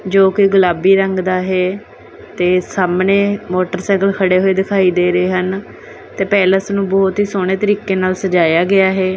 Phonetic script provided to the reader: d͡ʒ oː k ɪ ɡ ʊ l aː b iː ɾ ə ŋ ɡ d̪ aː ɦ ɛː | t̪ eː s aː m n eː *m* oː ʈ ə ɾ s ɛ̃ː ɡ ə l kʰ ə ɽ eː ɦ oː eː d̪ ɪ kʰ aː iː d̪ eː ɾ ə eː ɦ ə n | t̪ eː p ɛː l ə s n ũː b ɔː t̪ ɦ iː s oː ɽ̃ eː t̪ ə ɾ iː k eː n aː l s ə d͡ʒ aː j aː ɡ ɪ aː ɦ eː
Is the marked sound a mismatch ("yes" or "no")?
no